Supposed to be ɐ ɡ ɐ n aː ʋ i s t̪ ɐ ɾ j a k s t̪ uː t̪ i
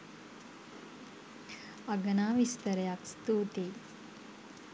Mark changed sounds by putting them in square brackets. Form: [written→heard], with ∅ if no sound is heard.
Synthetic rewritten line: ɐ ɡ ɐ n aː ʋ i s t̪ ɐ ɾ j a k s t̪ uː t̪ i

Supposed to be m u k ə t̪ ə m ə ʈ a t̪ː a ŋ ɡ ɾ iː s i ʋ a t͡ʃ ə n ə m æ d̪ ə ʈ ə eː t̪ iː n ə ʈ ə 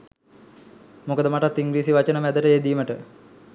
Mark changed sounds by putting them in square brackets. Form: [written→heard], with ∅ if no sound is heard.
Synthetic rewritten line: m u k ə [t̪→d̪] ə m [ə→a] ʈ a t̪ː [a→i] ŋ ɡ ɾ iː s i ʋ a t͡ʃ ə n ə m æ d̪ ə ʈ ə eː [t̪→d̪] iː [n→m] ə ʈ ə

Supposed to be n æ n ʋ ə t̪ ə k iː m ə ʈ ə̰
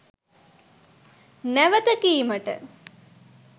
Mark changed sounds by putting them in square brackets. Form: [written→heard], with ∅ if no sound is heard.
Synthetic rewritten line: n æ [n→∅] ʋ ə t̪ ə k iː m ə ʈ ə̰

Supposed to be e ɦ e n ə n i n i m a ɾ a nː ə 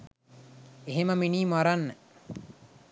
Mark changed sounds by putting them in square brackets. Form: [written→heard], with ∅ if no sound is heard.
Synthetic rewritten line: e ɦ e [n→m] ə [n→m] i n [i→iː] m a ɾ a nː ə

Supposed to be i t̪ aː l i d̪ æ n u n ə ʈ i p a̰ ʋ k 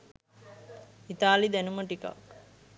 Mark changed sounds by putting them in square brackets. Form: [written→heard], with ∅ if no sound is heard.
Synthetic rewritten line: i t̪ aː l i d̪ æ n u [n→m] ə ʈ i [p→k] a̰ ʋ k

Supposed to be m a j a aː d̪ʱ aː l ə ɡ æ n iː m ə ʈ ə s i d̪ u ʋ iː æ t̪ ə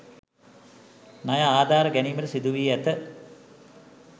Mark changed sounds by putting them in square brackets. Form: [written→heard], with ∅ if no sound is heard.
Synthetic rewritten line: [m→n] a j a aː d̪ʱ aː [l→ɾ] ə ɡ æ n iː m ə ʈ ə s i d̪ u ʋ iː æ t̪ ə

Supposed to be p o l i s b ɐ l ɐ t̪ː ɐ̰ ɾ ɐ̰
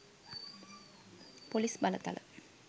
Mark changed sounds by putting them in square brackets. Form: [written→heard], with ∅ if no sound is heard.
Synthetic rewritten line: p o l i s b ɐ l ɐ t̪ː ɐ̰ [ɾ→l] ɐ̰

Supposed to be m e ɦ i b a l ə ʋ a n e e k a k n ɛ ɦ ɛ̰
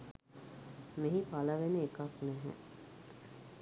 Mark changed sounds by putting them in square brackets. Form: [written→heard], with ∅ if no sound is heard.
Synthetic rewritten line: m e ɦ i [b→p] a l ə ʋ [a→e] n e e k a k n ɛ ɦ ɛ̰

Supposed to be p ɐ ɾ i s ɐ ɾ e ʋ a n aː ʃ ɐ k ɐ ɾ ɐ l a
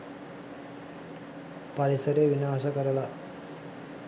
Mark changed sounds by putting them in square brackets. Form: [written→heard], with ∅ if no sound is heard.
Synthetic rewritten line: p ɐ ɾ i s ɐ ɾ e ʋ [a→i] n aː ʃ ɐ k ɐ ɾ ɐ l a

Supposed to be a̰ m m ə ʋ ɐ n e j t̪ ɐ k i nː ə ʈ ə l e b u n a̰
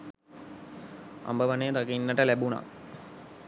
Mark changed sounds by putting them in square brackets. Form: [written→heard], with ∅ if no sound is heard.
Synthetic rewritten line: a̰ m [m→b] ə ʋ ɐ n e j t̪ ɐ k i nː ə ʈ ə l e b u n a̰

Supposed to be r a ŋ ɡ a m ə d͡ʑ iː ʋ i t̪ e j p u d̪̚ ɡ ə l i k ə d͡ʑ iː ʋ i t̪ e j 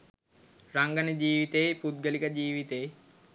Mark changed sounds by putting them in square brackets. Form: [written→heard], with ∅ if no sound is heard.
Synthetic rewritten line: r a ŋ ɡ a [m→n] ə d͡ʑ iː ʋ i t̪ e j p u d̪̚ ɡ ə l i k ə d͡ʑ iː ʋ i t̪ e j

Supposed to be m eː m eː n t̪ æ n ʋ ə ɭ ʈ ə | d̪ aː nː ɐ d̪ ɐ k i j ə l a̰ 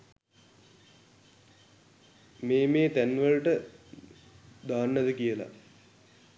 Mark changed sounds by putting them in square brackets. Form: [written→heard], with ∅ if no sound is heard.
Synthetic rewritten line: m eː m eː [n→∅] t̪ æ n ʋ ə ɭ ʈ ə | d̪ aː nː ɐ d̪ [ɐ→ə] k i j ə l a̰

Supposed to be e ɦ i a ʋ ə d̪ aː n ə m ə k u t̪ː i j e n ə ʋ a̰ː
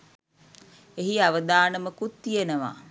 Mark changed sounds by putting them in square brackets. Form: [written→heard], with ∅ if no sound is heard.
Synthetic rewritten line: e ɦ i a ʋ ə d̪ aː n ə m ə k u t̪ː i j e n ə ʋ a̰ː

